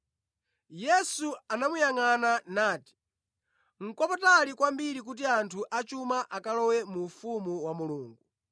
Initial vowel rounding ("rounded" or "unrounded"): unrounded